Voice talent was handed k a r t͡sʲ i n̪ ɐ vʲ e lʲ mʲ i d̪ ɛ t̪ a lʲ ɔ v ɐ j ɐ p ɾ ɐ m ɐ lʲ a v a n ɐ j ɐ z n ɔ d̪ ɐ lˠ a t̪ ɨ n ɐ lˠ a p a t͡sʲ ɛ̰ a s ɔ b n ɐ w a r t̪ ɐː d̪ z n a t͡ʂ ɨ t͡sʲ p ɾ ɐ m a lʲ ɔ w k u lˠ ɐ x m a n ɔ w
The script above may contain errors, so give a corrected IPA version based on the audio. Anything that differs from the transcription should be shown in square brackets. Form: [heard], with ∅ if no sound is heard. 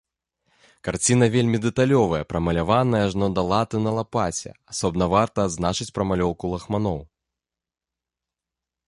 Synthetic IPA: k a r t͡sʲ i n̪ ɐ vʲ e lʲ mʲ i d̪ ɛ t̪ a lʲ ɔ v ɐ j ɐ p ɾ ɐ m ɐ lʲ a v a n ɐ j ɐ [ʐ] n ɔ d̪ ɐ lˠ a t̪ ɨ n ɐ lˠ a p a t͡sʲ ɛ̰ a s ɔ b n ɐ [v] a r t̪ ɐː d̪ z n a t͡ʂ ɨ t͡sʲ p ɾ ɐ m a lʲ ɔ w k u lˠ ɐ x m a n ɔ w